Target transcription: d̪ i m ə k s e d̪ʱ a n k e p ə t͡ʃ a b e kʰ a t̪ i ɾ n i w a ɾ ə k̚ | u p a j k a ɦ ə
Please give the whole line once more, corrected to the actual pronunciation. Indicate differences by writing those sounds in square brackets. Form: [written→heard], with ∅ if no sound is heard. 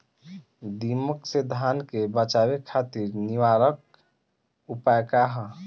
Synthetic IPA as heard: d̪ i m ə k s e d̪ʱ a n k e [p→b] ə t͡ʃ a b e kʰ a t̪ i ɾ n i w a ɾ ə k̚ | u p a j k a ɦ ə